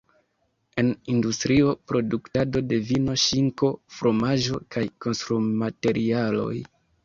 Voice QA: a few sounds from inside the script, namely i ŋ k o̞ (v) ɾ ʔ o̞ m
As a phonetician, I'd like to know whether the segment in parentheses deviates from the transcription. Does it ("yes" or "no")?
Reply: yes